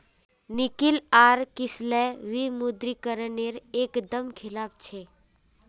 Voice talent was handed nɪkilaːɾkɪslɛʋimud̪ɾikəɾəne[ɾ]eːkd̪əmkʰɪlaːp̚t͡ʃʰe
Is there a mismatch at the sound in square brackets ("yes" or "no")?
no